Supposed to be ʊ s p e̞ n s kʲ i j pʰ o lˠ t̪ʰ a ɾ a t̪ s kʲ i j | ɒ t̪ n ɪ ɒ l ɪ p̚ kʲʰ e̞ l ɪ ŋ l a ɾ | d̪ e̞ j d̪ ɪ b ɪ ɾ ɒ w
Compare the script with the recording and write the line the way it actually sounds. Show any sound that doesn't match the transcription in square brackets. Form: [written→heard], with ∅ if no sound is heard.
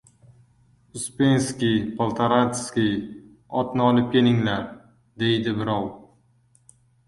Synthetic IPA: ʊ s p e̞ n s kʲ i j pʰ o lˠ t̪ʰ a ɾ a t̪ s kʲ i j | ɒ t̪ n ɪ ɒ l ɪ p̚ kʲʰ e̞ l ɪ ŋ l a ɾ | d̪ e̞ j d̪ ɪ b ɪ ɾ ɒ w